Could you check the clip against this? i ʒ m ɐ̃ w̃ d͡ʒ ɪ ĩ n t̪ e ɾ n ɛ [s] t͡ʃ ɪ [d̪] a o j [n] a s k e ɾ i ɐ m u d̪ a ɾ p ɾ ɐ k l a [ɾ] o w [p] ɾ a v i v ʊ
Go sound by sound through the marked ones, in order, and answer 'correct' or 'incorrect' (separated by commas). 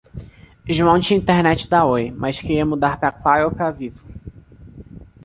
incorrect, correct, incorrect, correct, correct